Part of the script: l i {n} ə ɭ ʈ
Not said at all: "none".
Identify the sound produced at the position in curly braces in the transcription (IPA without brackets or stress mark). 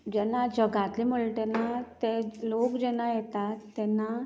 m